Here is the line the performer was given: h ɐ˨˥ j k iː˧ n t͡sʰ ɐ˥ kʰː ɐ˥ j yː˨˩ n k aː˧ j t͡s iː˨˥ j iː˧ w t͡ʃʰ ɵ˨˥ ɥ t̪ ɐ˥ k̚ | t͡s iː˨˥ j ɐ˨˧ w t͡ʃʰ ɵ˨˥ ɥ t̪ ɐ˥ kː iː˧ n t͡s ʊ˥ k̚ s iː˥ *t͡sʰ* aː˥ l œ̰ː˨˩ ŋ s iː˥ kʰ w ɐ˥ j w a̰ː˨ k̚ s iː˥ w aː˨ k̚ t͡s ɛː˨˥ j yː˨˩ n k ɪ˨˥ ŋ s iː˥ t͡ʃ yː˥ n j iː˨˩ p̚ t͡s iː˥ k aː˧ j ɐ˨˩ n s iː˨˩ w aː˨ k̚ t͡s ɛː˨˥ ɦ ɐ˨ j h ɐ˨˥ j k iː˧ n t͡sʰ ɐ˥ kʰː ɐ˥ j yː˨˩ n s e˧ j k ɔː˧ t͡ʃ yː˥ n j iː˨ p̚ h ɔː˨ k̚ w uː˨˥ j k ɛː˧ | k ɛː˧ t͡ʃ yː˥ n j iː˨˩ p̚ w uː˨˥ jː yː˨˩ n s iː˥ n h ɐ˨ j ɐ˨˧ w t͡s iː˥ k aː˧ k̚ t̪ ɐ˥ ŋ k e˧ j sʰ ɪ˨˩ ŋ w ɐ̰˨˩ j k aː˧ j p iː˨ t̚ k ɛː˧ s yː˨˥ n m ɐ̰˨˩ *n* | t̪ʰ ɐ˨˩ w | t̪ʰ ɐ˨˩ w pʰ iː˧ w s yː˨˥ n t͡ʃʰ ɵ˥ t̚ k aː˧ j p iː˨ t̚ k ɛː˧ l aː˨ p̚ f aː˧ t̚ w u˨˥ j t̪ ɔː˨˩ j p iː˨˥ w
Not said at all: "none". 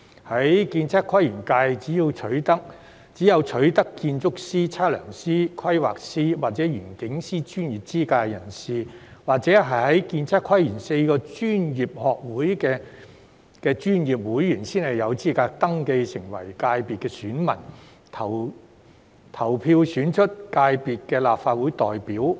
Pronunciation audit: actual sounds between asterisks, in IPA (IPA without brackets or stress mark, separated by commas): t͡sʰ, n